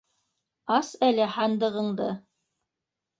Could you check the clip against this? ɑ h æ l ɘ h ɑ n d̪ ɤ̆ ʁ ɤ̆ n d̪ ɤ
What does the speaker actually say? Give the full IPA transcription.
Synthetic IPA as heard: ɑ s æ l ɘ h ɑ n d̪ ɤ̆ ʁ ɤ̆ ɴ d̪ ɤ